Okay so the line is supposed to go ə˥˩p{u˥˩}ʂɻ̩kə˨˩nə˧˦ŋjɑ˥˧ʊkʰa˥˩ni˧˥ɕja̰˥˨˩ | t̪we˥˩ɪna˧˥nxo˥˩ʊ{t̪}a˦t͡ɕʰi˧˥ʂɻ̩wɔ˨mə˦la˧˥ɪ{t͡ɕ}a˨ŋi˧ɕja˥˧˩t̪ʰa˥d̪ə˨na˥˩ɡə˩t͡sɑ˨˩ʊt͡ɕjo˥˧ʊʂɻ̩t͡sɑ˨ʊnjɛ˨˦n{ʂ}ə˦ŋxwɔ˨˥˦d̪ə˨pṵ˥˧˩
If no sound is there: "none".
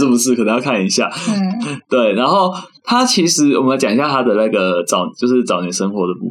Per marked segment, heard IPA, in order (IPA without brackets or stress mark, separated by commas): u˧˥, t̪ʰ, t͡ɕ, ʂ